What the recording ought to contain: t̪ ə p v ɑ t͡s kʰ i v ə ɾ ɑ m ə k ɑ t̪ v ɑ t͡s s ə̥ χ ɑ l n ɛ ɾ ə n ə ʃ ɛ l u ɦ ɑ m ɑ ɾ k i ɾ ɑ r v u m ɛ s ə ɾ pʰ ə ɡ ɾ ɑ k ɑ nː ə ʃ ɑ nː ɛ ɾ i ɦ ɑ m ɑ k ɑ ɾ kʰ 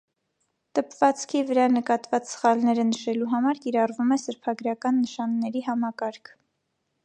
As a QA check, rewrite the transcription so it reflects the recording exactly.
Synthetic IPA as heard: t̪ ə p v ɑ t͡s kʰ i v ə ɾ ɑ n ə k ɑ t̪ v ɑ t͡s s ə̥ χ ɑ l n ɛ ɾ ə n ə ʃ ɛ l u ɦ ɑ m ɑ ɾ k i ɾ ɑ r v u m ɛ s ə ɾ pʰ ɑ ɡ ɾ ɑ k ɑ nː ə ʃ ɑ nː ɛ ɾ i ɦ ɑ m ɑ k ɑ ɾ kʰ